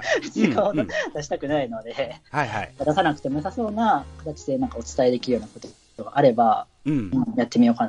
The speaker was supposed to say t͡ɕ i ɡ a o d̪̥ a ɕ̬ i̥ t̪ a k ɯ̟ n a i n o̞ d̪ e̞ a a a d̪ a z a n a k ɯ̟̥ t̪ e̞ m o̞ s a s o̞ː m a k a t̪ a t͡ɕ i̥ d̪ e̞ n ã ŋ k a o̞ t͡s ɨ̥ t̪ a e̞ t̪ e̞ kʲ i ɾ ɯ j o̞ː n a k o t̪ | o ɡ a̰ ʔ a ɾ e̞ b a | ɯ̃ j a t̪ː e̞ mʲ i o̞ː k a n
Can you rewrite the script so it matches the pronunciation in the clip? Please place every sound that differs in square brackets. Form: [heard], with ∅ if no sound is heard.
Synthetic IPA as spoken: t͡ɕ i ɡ a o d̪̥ a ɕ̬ i̥ t̪ a k ɯ̟ n a i n o̞ d̪ e̞ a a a d̪ a [s] a n a k ɯ̟̥ t̪ e̞ m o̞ s a s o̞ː [n] a k a t̪ a t͡ɕ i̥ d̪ e̞ n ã ŋ k a o̞ t͡s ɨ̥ t̪ a e̞ [d̪] e̞ kʲ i ɾ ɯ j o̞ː n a k o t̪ | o ɡ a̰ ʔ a ɾ e̞ b a | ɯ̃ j a t̪ː e̞ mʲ i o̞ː k a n